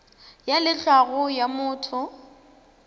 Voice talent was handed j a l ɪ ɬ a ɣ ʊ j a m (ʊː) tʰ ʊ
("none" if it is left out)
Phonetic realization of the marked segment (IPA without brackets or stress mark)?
ʊː